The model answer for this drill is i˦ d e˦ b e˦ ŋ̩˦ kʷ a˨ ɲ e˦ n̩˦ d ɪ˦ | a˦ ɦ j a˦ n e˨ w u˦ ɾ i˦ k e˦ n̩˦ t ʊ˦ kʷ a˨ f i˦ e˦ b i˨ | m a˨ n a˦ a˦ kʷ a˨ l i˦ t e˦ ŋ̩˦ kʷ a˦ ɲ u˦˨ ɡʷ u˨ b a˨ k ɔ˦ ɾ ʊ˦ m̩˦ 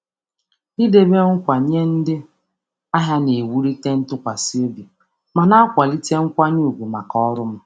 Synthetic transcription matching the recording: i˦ d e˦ b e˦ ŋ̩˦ kʷ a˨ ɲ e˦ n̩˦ d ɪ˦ | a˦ ɦ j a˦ n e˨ w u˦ ɾ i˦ t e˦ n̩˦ t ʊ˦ kʷ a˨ s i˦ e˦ b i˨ | m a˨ n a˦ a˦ kʷ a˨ l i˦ t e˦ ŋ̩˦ kʷ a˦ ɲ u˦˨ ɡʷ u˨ m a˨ k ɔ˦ ɾ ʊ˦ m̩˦